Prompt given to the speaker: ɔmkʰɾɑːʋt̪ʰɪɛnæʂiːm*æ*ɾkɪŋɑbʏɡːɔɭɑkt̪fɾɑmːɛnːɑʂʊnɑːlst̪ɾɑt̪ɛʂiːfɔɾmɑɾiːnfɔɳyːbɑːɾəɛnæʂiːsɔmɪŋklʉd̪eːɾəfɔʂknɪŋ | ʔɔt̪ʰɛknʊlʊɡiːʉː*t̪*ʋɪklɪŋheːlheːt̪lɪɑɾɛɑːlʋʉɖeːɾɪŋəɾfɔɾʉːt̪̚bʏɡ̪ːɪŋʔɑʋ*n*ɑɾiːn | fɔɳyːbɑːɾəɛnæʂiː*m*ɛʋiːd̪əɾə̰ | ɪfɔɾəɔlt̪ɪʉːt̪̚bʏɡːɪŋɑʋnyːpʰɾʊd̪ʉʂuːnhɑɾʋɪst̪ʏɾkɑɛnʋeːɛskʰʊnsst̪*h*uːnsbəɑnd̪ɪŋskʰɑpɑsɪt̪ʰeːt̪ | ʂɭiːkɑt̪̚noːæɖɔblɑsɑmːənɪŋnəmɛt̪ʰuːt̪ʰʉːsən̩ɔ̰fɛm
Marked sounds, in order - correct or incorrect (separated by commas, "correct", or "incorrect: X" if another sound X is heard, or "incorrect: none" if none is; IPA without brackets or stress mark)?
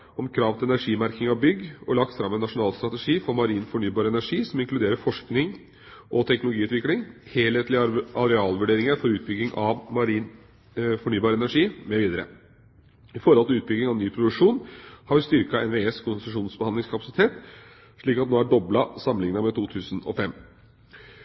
correct, correct, incorrect: m, correct, incorrect: ʂ